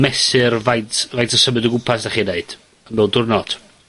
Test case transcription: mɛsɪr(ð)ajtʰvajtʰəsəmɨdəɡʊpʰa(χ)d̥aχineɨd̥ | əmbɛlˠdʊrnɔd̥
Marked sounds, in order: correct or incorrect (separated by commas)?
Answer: incorrect, incorrect